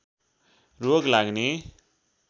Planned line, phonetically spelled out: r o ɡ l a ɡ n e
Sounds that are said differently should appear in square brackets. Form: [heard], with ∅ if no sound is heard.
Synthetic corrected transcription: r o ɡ l a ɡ n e